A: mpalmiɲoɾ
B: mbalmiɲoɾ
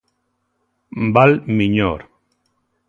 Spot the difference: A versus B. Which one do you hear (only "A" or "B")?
B